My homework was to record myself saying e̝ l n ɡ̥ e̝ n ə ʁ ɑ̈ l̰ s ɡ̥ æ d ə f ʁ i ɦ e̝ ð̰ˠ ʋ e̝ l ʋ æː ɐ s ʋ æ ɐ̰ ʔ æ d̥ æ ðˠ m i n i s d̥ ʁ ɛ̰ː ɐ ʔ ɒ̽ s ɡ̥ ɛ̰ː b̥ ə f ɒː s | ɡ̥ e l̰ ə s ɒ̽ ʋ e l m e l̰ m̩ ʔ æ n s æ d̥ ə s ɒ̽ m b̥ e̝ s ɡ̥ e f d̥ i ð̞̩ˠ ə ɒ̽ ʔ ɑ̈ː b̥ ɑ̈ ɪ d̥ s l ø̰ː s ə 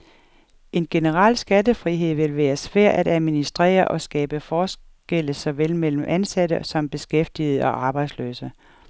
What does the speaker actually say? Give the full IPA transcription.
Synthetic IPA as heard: e̝ n ɡ̥ e̝ n ə ʁ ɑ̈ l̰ s ɡ̥ æ d ə f ʁ i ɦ e̝ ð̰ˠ ʋ e̝ l ʋ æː ɐ s ʋ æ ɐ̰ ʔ æ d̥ æ ðˠ m i n i s d̥ ʁ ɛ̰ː ɐ ʔ ɒ̽ s ɡ̥ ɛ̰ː b̥ ə f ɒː s | ɡ̥ e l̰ ə s ɒ̽ ʋ e l m e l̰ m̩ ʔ æ n s æ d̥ ə s ɒ̽ m b̥ e̝ s ɡ̥ e f d̥ i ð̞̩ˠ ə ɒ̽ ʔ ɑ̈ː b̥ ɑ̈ ɪ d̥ s l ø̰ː s ə